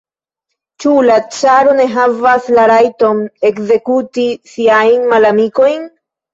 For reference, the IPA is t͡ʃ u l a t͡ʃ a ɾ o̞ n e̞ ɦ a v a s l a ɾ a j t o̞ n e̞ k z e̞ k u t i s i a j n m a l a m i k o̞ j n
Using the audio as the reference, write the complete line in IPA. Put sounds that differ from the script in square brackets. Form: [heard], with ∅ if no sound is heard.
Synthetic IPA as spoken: t͡ʃ u l a t͡ʃ a ɾ o̞ n e̞ ɦ a v a s l a ɾ a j t o̞ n e̞ k z e̞ k u t i s i a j n m a l a m i k o̞ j n